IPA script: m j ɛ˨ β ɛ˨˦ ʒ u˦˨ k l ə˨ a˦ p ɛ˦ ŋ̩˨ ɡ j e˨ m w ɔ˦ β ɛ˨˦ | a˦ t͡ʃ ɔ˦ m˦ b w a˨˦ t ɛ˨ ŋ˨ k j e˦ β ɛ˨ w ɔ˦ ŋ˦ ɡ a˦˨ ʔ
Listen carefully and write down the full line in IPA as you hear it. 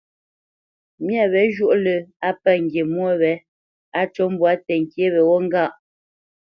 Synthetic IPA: m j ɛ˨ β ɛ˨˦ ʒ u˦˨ ʔ l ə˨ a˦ p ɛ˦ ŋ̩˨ ɡ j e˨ m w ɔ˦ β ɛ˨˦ | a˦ t͡ʃ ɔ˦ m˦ b w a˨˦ t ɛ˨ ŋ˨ k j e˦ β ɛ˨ w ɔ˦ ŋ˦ ɡ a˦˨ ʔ